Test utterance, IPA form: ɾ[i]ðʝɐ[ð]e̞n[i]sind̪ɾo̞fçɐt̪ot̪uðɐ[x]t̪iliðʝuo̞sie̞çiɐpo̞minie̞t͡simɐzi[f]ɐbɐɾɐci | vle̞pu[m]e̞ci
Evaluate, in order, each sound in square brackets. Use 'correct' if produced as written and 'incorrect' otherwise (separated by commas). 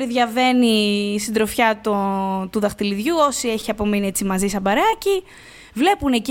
correct, incorrect, correct, correct, incorrect, incorrect